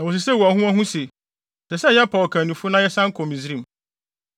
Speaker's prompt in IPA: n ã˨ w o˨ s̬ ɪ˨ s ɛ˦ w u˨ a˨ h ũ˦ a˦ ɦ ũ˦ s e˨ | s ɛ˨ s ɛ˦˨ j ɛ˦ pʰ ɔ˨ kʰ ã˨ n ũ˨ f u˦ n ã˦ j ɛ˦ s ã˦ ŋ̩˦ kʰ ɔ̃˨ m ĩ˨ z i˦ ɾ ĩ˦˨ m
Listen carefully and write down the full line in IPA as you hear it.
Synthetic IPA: n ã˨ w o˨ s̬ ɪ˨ s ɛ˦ w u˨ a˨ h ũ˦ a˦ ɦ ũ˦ s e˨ | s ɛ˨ s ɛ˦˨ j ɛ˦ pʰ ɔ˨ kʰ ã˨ n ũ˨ f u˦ n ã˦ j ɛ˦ s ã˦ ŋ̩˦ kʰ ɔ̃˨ m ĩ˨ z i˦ ɾ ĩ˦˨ m